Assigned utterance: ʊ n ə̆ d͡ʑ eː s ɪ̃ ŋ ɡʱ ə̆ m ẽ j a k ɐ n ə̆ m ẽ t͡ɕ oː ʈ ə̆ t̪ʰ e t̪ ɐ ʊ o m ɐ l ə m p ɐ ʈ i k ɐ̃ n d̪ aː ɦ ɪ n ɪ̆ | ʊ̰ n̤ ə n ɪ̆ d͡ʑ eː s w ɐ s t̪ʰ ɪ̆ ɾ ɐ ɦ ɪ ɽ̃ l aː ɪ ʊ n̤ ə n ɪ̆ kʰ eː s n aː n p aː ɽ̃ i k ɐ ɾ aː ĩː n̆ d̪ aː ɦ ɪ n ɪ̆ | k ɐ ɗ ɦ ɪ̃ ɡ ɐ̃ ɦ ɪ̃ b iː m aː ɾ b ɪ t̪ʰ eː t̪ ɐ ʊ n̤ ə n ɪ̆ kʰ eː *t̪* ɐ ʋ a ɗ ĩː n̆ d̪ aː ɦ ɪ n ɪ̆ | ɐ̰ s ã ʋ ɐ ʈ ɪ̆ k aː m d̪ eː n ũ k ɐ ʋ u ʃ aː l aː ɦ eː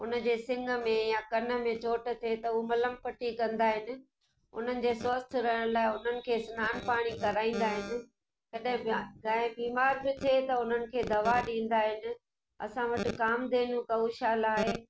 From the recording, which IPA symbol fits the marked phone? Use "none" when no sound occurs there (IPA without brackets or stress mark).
d̪